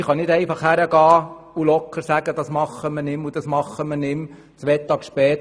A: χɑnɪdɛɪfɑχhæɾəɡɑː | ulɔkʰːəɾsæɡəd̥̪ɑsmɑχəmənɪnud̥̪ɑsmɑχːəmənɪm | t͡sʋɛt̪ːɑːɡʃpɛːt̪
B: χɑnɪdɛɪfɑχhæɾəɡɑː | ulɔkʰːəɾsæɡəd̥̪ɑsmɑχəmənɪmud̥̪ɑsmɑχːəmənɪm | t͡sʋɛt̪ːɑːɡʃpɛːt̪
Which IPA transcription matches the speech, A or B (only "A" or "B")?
B